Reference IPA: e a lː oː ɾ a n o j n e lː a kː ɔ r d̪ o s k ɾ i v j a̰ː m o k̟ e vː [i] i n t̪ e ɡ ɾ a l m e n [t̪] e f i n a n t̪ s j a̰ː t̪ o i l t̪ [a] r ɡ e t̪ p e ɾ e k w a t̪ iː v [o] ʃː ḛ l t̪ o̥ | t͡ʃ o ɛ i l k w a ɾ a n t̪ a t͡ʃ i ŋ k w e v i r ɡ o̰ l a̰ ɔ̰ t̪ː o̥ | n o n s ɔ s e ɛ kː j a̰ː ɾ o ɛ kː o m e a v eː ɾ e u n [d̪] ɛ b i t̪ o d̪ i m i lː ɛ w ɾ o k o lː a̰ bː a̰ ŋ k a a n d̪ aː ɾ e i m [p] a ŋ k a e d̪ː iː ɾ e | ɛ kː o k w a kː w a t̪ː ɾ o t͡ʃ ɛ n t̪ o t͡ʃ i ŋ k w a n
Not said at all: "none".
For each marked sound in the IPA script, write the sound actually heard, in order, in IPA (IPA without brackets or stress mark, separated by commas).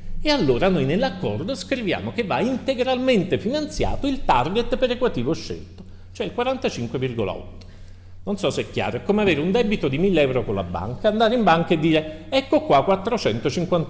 a, t̪, a, o, d̪, b